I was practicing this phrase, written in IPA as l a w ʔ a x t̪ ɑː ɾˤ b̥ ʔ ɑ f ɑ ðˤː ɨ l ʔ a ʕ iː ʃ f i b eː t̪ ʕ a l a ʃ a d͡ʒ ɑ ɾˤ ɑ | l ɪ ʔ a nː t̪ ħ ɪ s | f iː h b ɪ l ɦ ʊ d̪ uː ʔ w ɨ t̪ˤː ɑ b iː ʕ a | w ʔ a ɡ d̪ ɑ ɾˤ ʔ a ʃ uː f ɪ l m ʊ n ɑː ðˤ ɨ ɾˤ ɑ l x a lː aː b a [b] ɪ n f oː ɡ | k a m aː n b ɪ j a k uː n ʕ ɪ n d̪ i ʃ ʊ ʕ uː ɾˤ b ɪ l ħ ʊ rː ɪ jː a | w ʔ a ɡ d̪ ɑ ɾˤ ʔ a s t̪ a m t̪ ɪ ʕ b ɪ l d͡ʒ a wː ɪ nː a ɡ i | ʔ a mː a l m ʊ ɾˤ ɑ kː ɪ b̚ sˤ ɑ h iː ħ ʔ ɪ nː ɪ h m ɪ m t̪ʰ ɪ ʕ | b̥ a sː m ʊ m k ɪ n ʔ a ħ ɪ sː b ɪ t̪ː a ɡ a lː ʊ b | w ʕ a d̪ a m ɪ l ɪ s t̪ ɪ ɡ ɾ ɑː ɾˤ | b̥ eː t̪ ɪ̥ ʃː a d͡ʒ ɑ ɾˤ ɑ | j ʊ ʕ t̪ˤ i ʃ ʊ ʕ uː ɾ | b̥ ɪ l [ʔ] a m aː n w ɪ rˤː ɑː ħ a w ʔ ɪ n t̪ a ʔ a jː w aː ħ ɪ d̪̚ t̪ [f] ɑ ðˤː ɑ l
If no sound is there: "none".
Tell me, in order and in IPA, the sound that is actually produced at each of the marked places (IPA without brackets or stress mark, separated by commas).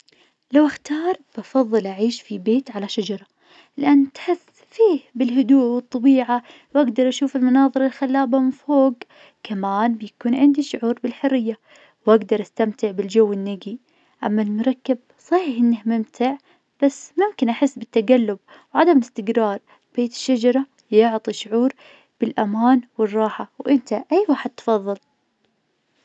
m, ʔ, f